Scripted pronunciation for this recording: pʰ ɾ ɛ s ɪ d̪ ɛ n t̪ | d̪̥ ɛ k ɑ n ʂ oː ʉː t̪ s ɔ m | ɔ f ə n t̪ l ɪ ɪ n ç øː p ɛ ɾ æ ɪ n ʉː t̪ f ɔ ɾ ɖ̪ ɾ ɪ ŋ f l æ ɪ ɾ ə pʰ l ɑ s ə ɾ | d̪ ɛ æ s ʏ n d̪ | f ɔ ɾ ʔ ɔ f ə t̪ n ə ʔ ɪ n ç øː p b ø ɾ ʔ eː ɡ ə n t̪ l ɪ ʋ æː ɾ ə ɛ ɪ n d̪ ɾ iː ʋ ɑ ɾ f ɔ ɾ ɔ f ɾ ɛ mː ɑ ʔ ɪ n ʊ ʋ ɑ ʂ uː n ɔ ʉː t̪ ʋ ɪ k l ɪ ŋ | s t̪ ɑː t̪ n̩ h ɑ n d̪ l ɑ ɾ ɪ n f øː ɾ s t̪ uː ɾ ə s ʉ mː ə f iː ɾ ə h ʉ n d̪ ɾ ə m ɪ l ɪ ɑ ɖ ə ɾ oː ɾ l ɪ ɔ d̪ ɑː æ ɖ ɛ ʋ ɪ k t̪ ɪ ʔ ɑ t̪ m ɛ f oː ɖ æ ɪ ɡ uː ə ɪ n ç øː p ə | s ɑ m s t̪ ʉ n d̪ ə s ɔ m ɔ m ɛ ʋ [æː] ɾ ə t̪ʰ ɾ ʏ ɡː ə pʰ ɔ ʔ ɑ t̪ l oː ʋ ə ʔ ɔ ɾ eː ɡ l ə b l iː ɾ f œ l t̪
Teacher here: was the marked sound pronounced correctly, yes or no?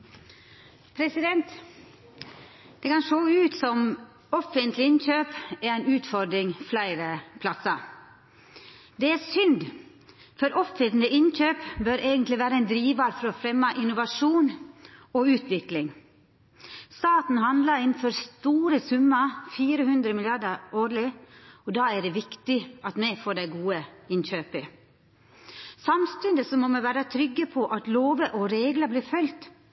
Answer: yes